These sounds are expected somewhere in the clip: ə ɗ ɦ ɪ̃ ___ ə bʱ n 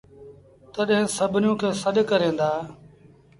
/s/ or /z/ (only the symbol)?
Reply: s